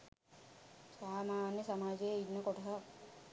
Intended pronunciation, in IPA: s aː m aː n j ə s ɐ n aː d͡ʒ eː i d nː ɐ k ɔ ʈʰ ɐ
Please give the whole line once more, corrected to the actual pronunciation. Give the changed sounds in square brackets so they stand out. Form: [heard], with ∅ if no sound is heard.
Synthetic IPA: s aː m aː n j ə s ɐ [m] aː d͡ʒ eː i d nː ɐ k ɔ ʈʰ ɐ